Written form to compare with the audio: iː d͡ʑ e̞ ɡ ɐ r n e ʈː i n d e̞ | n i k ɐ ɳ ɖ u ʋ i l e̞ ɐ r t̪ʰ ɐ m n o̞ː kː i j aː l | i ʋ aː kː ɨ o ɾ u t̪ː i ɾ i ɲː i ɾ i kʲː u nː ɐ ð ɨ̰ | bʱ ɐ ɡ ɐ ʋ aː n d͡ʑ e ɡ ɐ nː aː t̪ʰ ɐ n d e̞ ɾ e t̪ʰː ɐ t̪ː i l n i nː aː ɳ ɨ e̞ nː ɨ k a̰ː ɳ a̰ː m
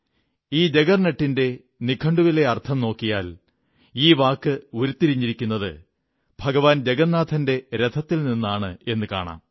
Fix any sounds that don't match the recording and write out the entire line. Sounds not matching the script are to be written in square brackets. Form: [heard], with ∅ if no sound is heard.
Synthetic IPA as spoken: iː d͡ʑ e̞ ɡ ɐ r n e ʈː i n d e̞ | n i [kʰ] ɐ ɳ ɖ u ʋ i l e̞ ɐ r t̪ʰ ɐ m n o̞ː kː i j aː l | [iː] ʋ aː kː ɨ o ɾ u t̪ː i ɾ i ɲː i ɾ i kʲː u nː ɐ ð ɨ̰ | bʱ ɐ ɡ ɐ ʋ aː n d͡ʑ e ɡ ɐ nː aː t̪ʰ ɐ n d e̞ ɾ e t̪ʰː ɐ t̪ː i l n i nː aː ɳ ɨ e̞ nː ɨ k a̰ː ɳ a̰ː m